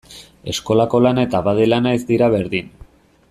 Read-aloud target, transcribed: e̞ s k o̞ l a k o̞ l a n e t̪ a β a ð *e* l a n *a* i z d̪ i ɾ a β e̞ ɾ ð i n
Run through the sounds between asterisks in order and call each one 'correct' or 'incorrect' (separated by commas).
correct, correct